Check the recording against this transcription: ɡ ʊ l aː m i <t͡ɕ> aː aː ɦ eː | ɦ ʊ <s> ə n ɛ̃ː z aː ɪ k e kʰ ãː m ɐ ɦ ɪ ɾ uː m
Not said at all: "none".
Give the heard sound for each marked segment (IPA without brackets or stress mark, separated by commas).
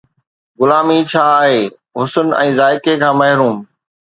t͡ɕʰ, s